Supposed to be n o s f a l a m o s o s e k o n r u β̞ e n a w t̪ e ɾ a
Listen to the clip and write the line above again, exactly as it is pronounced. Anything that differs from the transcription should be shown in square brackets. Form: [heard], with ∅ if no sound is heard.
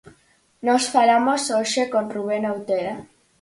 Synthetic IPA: n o s f a l a m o s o [ʃ] e k o n r u β̞ e n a w t̪ e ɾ a